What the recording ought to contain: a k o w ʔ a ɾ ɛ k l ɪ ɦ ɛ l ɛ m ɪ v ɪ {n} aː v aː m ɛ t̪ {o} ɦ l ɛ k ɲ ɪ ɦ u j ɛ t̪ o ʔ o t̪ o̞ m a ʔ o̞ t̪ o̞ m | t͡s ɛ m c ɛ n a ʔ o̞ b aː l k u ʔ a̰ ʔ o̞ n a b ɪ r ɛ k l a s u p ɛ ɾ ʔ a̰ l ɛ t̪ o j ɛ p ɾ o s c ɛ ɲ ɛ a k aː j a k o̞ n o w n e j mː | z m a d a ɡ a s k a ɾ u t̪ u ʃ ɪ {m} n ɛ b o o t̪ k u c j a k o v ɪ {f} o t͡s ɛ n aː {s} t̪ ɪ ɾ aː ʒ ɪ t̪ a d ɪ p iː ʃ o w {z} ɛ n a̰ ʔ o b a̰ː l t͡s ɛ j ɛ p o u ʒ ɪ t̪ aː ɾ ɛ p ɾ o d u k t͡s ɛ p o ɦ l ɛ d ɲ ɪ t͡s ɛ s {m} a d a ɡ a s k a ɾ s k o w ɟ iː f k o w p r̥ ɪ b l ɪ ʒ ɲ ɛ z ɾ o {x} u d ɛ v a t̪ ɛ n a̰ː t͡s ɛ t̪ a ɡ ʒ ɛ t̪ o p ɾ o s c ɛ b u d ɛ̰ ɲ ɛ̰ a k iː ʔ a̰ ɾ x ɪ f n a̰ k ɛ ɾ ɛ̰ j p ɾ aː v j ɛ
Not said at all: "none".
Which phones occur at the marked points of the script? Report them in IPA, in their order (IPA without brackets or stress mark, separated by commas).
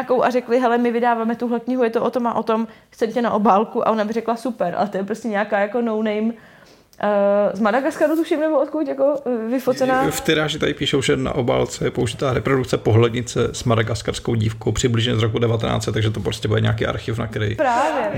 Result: d, u, m, f, f, ʒ, m, k